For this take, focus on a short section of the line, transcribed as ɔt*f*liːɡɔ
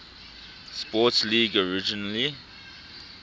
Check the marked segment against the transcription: incorrect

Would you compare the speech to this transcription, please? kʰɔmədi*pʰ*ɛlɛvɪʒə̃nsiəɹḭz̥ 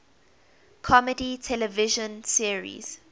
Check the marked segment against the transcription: incorrect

